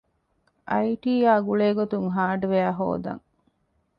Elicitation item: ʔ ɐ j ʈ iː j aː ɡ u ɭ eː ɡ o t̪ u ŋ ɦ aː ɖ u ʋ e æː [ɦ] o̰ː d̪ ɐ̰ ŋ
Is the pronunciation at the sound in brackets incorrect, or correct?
correct